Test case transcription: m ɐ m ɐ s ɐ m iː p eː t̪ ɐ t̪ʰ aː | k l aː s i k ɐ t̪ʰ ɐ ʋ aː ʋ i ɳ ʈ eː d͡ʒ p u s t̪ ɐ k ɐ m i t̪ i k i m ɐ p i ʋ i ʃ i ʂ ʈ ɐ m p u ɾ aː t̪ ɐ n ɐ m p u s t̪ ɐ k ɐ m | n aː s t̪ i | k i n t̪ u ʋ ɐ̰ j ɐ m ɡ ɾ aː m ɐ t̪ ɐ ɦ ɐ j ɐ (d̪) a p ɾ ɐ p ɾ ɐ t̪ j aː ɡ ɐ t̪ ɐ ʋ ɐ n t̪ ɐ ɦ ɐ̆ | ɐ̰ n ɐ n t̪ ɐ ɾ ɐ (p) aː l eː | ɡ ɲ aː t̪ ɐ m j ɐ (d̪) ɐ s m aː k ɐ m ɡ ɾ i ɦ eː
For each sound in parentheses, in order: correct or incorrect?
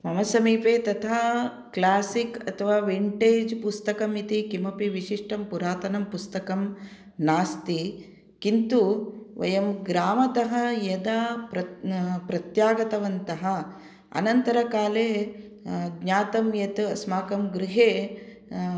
correct, incorrect: k, incorrect: t̪

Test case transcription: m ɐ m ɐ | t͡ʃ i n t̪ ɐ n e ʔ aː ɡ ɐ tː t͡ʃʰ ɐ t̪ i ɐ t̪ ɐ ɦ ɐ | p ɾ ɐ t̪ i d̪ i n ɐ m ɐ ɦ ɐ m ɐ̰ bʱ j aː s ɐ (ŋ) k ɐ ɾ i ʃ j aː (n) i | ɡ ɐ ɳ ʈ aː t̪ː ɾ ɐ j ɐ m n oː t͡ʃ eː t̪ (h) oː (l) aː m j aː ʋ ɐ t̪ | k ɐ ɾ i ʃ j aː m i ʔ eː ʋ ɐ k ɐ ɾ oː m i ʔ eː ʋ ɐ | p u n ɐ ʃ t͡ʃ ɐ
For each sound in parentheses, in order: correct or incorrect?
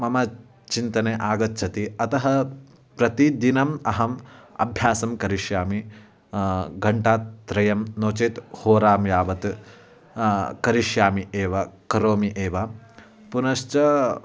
incorrect: m, incorrect: m, correct, incorrect: ɾ

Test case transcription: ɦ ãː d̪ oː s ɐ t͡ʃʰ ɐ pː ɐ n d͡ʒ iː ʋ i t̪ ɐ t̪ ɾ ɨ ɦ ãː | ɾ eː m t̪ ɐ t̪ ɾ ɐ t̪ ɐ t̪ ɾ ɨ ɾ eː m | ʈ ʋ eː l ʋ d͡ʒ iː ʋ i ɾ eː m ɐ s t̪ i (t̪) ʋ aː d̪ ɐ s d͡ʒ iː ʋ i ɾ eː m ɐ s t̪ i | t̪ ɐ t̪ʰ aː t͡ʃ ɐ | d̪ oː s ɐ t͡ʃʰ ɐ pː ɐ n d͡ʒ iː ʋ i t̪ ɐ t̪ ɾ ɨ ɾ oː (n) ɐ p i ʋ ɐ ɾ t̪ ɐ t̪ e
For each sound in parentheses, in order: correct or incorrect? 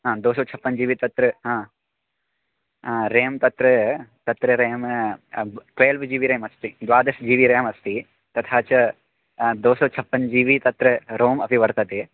incorrect: d̪, incorrect: m

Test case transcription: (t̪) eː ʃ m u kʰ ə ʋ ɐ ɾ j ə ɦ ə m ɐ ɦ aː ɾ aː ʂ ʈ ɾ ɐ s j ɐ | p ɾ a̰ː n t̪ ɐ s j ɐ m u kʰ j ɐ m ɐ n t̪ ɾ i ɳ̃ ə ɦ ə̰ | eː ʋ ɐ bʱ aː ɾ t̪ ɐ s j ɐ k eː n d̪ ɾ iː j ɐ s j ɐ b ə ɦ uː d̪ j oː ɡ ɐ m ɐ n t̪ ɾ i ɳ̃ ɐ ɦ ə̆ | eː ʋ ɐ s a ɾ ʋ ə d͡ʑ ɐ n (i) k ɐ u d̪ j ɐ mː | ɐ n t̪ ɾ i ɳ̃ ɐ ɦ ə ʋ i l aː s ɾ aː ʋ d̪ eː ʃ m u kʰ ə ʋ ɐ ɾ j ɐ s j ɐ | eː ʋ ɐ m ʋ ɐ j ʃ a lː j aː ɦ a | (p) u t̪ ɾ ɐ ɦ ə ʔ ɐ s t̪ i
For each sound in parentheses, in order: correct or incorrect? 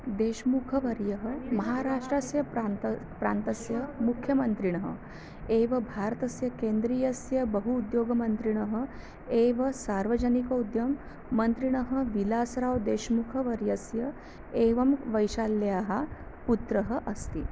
incorrect: d̪, correct, correct

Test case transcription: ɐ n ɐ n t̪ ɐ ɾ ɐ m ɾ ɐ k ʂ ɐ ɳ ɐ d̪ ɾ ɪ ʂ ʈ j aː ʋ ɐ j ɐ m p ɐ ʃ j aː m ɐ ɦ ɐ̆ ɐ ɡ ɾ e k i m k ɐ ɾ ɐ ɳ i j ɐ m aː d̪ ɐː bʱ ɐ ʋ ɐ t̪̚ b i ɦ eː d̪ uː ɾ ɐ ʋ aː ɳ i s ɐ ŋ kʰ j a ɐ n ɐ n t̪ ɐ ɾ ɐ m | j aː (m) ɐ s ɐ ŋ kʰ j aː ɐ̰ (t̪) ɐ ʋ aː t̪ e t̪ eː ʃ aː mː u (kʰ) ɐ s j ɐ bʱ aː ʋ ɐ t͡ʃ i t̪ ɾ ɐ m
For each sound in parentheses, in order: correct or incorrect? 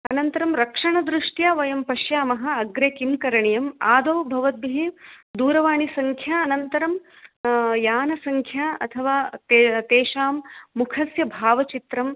incorrect: n, incorrect: t̪ʰ, correct

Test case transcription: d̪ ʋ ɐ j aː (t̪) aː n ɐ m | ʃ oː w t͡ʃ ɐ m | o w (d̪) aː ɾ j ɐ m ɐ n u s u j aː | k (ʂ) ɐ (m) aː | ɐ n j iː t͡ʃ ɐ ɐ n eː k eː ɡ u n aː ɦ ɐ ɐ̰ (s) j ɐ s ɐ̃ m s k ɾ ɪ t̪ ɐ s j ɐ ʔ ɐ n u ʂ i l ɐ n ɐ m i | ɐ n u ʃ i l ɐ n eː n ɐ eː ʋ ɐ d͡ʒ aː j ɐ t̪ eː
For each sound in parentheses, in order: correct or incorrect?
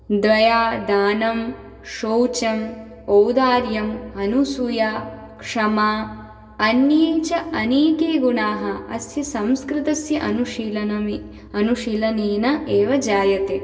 incorrect: d̪, correct, correct, correct, correct

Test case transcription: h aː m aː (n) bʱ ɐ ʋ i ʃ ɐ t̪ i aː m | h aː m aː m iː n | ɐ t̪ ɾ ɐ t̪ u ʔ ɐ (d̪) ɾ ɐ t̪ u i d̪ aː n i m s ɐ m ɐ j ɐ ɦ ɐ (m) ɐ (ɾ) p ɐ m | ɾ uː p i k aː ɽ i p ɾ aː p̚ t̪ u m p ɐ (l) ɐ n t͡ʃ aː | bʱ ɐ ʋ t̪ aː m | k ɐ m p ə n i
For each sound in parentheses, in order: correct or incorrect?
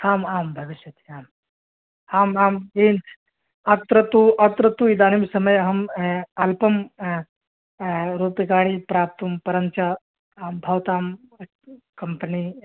incorrect: m, incorrect: t̪, correct, incorrect: l, incorrect: ɾ

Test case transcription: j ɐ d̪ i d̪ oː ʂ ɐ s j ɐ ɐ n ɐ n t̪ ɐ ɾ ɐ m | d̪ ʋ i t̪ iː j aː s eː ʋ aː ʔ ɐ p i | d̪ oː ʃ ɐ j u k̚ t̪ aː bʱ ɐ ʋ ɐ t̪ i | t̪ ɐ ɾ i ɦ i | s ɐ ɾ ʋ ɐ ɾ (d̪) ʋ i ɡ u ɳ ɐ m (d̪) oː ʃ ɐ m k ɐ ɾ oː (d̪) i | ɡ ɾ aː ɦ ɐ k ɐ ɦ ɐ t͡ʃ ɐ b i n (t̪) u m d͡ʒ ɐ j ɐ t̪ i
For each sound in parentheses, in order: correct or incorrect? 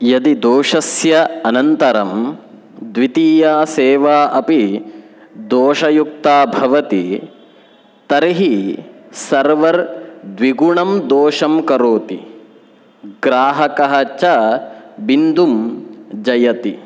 correct, correct, incorrect: t̪, incorrect: d̪

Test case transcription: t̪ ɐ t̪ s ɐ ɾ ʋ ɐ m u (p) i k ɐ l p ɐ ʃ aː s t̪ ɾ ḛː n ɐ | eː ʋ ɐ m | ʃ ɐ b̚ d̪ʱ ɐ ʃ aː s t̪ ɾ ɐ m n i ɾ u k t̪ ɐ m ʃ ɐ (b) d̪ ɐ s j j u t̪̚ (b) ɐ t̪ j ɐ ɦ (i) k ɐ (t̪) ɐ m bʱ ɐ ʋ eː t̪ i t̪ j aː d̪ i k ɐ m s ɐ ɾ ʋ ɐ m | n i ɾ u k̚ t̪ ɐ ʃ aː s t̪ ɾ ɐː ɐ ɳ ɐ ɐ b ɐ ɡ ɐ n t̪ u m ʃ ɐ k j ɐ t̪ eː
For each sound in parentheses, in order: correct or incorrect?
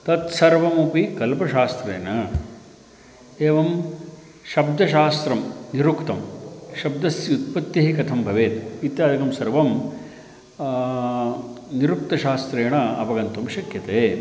correct, correct, incorrect: p, correct, incorrect: t̪ʰ

